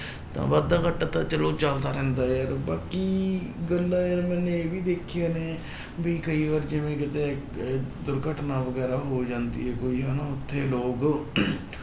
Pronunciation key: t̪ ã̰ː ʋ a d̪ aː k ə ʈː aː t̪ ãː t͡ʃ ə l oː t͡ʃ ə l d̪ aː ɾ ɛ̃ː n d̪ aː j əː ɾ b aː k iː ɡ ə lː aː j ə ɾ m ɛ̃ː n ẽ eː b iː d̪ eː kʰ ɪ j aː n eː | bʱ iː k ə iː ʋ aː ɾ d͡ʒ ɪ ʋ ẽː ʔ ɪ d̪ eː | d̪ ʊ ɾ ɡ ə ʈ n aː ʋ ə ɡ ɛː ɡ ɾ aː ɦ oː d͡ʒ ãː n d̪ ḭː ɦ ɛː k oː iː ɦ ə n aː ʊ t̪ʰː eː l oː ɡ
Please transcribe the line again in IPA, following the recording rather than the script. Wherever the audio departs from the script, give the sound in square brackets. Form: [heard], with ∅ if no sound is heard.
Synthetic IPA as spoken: t̪ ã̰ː ʋ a d̪ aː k ə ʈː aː t̪ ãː t͡ʃ ə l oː t͡ʃ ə l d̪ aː ɾ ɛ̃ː n d̪ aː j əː ɾ b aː k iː ɡ ə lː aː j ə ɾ m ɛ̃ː n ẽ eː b iː d̪ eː kʰ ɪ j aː n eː | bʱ iː k ə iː ʋ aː ɾ d͡ʒ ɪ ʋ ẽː [k] ɪ [t̪] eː | d̪ ʊ ɾ ɡ ə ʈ n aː ʋ ə ɡ ɛː [∅] ɾ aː ɦ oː d͡ʒ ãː n d̪ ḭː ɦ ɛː k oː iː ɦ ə n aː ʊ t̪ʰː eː l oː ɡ